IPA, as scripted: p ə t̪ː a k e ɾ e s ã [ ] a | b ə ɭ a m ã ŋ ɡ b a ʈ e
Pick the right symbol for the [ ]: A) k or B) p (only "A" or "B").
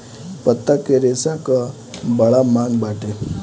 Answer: A